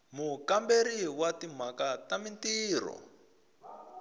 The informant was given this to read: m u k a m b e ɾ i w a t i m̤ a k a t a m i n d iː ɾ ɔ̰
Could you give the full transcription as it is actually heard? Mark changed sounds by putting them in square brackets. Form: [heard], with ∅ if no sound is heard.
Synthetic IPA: m u k a m b e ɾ i w a t i m̤ a k a t a m i n [t] iː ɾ ɔ̰